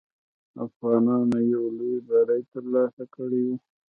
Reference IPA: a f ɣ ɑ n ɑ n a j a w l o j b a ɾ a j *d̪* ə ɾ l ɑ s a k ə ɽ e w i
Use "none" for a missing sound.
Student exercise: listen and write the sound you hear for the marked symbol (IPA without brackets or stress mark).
t̪